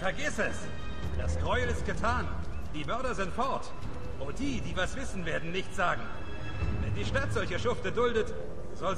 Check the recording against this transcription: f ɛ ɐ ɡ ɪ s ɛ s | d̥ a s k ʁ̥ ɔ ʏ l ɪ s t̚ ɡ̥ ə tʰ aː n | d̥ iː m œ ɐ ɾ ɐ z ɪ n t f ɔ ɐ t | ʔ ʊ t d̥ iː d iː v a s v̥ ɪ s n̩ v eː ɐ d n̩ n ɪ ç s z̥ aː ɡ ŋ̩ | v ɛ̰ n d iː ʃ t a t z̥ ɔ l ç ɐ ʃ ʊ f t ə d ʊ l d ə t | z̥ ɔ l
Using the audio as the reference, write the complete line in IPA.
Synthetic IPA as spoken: f ɛ ɐ ɡ ɪ s ɛ s | d̥ a s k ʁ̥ ɔ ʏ l ɪ s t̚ ɡ̥ ə tʰ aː n | d̥ iː m œ ɐ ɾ ɐ z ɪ n t f ɔ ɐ t | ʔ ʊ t d̥ iː d iː v a s v̥ ɪ s n̩ v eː ɐ d n̩ n ɪ ç t z̥ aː ɡ ŋ̩ | v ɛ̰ n d iː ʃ t a t z̥ ɔ l ç ɐ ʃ ʊ f t ə d ʊ l d ə t | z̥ ɔ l

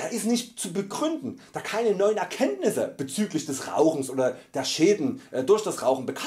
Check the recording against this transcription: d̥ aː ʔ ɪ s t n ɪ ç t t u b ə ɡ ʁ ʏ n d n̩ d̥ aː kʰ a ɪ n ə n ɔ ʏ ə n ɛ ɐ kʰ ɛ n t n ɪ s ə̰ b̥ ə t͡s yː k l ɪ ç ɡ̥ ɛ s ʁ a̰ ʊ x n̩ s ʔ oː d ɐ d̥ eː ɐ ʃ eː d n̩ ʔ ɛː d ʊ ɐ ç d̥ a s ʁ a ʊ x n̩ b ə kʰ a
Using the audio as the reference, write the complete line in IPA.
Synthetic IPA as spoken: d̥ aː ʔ ɪ s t n ɪ ç t t͡s u b ə ɡ ʁ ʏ n d n̩ d̥ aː kʰ a ɪ n ə n ɔ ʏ ə n ɛ ɐ kʰ ɛ n t n ɪ s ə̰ b̥ ə t͡s yː k l ɪ ç d̥ ɛ s ʁ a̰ ʊ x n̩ s ʔ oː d ɐ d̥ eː ɐ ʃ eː d n̩ ʔ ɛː d ʊ ɐ ç d̥ a s ʁ a ʊ x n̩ b ə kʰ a

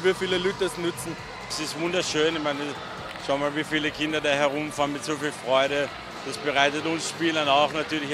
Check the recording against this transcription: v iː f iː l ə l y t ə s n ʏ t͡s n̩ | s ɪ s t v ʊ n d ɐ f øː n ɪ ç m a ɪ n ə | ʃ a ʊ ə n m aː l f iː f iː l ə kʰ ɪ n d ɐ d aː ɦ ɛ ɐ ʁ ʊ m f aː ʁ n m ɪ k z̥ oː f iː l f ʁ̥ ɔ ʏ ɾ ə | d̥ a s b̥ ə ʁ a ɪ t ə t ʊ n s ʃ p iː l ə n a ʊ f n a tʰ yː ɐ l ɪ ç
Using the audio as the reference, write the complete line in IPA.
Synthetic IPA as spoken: v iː f iː l ə l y t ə s n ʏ t͡s n̩ | s ɪ s t v ʊ n d ɐ ʃ øː n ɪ ç m a ɪ n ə | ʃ a ʊ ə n m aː l v iː f iː l ə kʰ ɪ n d ɐ d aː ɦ ɛ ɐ ʁ ʊ m f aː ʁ n m ɪ t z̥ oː f iː l f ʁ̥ ɔ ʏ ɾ ə | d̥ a s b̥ ə ʁ a ɪ t ə t ʊ n s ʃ p iː l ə n a ʊ x n a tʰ yː ɐ l ɪ ç

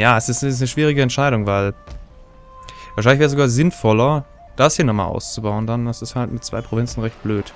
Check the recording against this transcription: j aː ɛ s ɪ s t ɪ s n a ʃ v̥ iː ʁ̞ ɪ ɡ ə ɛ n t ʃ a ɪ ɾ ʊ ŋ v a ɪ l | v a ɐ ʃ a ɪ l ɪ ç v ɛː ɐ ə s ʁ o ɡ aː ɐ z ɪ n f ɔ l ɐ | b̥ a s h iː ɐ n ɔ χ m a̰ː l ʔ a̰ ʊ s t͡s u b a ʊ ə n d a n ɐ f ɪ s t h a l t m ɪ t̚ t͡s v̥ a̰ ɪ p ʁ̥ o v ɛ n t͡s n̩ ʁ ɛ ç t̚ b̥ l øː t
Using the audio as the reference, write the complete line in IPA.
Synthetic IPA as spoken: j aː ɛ s ɪ s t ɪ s n ə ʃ v̥ iː ʁ̞ ɪ ɡ ə ɛ n t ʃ a ɪ ɾ ʊ ŋ v a ɪ l | v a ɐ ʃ a ɪ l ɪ ç v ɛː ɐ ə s z o ɡ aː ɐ z ɪ n f ɔ l ɐ | d̥ a s h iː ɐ n ɔ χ m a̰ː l ʔ a̰ ʊ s t͡s u b a ʊ ə n d a n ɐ s ɪ s t h a l t m ɪ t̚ t͡s v̥ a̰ ɪ p ʁ̥ o v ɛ n t͡s n̩ ʁ ɛ ç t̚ b̥ l øː t

